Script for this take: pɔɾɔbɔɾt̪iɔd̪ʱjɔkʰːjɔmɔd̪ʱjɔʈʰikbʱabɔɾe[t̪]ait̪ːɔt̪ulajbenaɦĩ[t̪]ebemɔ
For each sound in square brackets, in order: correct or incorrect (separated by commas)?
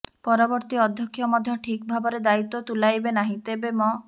incorrect, correct